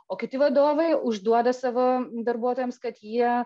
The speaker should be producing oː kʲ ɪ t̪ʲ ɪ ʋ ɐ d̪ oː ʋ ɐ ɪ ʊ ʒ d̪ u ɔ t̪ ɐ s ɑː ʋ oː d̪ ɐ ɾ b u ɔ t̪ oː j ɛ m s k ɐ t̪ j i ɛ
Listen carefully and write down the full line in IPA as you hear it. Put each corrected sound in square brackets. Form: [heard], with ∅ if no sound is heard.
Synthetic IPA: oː kʲ ɪ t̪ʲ ɪ ʋ ɐ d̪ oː ʋ ɐ ɪ ʊ ʒ d̪ u ɔ [d̪] ɐ s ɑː ʋ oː d̪ ɐ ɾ b u ɔ t̪ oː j ɛ m s k ɐ t̪ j i ɛ

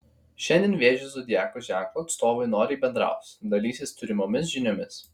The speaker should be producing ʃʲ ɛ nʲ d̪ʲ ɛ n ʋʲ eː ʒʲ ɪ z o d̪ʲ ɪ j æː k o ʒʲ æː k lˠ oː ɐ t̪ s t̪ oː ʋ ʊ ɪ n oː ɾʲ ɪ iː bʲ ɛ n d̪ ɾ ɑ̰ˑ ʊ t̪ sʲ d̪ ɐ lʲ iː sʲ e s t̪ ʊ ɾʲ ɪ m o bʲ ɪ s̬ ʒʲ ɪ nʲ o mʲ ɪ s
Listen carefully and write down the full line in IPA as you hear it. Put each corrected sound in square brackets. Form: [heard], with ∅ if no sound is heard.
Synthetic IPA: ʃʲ ɛ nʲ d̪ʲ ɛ n ʋʲ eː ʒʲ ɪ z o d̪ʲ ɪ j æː k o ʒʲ æː k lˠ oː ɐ t̪ s t̪ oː ʋ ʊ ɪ n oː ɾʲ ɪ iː bʲ ɛ n d̪ ɾ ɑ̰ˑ ʊ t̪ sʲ d̪ ɐ lʲ iː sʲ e s t̪ ʊ ɾʲ ɪ m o [mʲ] ɪ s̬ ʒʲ ɪ nʲ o mʲ ɪ s

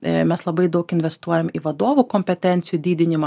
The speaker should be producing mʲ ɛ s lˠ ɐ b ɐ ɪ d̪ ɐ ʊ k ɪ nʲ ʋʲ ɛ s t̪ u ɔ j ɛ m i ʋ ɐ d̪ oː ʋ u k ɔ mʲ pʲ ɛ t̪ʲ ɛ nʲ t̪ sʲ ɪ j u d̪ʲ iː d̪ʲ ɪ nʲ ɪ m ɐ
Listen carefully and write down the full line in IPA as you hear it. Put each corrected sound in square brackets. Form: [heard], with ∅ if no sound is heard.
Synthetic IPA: mʲ ɛ s lˠ ɐ b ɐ ɪ d̪ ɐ ʊ k ɪ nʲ ʋʲ ɛ s t̪ u ɔ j ɛ m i ʋ ɐ d̪ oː ʋ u k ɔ mʲ pʲ ɛ t̪ʲ ɛ nʲ t̪ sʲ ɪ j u d̪ʲ iː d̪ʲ ɪ nʲ ɪ m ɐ

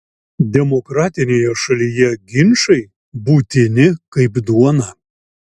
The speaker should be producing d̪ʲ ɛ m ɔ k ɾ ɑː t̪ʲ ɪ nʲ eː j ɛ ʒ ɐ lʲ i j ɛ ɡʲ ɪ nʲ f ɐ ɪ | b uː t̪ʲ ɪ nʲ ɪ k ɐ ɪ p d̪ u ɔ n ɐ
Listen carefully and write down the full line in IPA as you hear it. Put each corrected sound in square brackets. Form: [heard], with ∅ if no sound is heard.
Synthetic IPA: d̪ʲ ɛ m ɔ k ɾ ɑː t̪ʲ ɪ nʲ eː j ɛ [ʃ] ɐ lʲ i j ɛ ɡʲ ɪ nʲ [ʃ] ɐ ɪ | b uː t̪ʲ ɪ nʲ ɪ k ɐ ɪ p d̪ u ɔ n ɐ

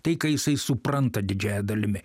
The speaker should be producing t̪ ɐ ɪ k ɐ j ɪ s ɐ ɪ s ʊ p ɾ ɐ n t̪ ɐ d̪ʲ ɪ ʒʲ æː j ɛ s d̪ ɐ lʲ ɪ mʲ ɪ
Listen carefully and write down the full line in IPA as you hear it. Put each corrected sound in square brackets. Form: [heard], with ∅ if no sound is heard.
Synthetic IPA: t̪ ɐ ɪ k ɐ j ɪ s ɐ ɪ s ʊ p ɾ ɐ n t̪ ɐ d̪ʲ ɪ [d͡ʒʲ] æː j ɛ [∅] d̪ ɐ lʲ ɪ mʲ ɪ

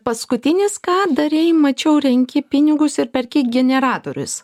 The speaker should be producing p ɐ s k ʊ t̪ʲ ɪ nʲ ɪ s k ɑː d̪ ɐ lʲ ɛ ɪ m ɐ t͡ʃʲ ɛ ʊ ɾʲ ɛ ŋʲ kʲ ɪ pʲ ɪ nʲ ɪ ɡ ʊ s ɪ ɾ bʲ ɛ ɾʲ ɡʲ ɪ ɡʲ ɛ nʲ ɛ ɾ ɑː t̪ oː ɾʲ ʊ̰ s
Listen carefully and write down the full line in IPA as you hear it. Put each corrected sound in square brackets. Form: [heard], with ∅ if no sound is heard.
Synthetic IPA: p ɐ s k ʊ t̪ʲ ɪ nʲ ɪ s k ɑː d̪ ɐ [ɾʲ] ɛ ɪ m ɐ t͡ʃʲ ɛ ʊ ɾʲ ɛ ŋʲ kʲ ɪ pʲ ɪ nʲ ɪ ɡ ʊ s ɪ ɾ [pʲ] ɛ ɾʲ [kʲ] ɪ ɡʲ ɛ nʲ ɛ ɾ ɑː t̪ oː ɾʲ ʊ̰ s

